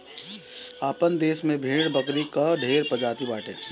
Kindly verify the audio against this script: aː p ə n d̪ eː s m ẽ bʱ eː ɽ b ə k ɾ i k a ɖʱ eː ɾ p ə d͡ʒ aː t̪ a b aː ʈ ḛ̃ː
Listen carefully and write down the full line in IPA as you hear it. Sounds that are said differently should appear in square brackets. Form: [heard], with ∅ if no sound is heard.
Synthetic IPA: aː p ə n d̪ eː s m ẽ bʱ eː ɽ b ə k ɾ i k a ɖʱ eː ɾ p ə d͡ʒ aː t̪ [i] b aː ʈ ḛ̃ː

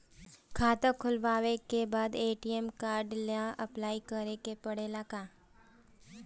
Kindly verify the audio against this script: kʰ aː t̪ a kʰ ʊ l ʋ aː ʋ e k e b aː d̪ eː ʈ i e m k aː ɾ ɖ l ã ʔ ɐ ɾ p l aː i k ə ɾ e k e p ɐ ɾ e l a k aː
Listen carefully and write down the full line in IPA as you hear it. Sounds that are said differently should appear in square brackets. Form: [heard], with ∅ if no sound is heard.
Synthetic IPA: kʰ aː t̪ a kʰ ʊ l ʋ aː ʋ e k e b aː d̪ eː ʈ i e m k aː ɾ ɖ l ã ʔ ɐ [∅] p l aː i k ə ɾ e k e p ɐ [ɽ] e l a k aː

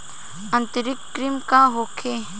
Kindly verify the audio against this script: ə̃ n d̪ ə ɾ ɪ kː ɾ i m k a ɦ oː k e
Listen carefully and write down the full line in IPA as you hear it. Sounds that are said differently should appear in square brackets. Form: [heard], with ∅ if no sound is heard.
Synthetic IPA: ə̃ n [t̪] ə ɾ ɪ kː ɾ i m k a ɦ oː [kʰ] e

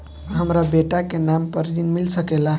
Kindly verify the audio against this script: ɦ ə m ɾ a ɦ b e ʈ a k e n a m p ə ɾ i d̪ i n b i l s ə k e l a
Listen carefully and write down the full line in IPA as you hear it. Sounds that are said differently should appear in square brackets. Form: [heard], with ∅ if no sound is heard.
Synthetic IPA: ɦ ə m ɾ a [∅] b e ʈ a k e n a m p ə ɾ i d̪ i n [m] i l s ə k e l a

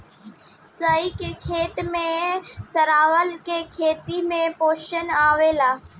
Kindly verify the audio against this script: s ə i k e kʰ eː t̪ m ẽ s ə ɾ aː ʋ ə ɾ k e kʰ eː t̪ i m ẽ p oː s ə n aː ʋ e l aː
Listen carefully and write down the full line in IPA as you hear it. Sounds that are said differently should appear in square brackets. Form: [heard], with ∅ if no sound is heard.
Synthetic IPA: s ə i k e kʰ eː t̪ m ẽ s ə ɾ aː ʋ ə [l] k e kʰ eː t̪ i m ẽ p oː [ʃ] ə n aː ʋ e l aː

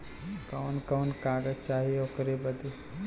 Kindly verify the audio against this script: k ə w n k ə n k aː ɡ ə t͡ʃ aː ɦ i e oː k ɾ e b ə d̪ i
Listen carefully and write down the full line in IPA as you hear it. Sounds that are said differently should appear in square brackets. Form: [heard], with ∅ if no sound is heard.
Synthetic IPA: k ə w n k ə n k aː ɡ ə t͡ʃ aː ɦ i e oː k ɾ e b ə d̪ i

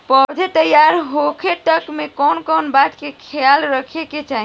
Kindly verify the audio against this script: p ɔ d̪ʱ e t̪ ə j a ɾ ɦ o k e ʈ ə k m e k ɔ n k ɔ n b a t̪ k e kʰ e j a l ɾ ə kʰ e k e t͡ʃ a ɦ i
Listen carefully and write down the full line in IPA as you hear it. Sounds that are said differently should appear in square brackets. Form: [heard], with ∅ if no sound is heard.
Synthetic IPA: p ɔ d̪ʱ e t̪ ə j a ɾ ɦ o [kʰ] e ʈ ə k m e k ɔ n k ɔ n b a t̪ k e kʰ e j a l ɾ ə kʰ e k e t͡ʃ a ɦ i

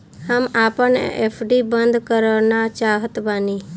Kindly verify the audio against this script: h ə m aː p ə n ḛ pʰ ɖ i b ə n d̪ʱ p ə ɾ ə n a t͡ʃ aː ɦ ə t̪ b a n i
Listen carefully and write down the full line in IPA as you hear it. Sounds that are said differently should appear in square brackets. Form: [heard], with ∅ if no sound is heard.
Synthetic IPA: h ə m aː p ə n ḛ pʰ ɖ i b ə n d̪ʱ [k] ə ɾ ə n a t͡ʃ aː ɦ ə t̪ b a n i

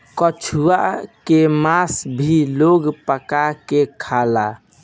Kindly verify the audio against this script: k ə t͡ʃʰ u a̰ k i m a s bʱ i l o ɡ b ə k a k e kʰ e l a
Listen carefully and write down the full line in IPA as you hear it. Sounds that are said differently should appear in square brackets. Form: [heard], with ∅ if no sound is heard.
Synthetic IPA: k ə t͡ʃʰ u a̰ k [e] m a s bʱ i l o ɡ [p] ə k a k e kʰ [a] l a

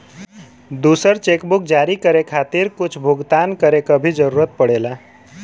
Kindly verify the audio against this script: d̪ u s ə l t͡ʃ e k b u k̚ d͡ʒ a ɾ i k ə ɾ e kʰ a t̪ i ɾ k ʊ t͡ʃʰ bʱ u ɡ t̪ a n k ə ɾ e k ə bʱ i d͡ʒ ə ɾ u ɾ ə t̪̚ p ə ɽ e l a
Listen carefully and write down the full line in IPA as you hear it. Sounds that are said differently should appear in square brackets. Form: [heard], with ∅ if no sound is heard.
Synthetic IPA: d̪ u s ə [ɾ] t͡ʃ e k b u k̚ d͡ʒ a ɾ i k ə ɾ e kʰ a t̪ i ɾ k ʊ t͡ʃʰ bʱ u ɡ t̪ a n k ə ɾ e k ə bʱ i d͡ʒ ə ɾ u ɾ ə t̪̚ p ə ɽ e l a

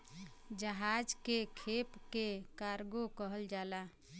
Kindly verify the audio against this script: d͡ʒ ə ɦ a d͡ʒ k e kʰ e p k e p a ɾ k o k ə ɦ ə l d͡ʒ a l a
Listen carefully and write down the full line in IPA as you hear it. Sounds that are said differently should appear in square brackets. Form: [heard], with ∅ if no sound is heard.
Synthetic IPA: d͡ʒ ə ɦ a d͡ʒ k e kʰ e p k e [k] a ɾ [ɡ] o k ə ɦ ə l d͡ʒ a l a

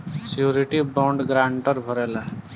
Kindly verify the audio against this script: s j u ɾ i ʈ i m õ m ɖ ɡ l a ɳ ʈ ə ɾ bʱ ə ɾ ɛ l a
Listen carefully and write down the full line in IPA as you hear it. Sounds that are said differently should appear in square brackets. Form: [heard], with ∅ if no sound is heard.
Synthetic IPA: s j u ɾ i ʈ i [b] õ [ɳ] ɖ ɡ [ɾ] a ɳ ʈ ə ɾ bʱ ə ɾ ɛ l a

